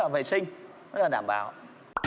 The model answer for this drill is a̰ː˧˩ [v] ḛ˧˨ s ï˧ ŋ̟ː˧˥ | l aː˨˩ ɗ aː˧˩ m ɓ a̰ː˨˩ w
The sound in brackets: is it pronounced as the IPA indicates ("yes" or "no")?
yes